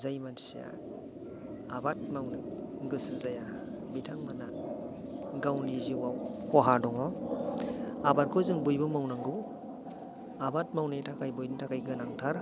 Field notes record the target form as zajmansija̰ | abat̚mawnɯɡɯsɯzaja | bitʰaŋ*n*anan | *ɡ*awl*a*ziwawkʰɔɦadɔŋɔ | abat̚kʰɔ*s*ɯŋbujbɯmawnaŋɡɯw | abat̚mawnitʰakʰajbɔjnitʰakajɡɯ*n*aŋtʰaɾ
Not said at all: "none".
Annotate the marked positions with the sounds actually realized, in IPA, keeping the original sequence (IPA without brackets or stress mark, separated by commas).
m, ɡ, i, z, n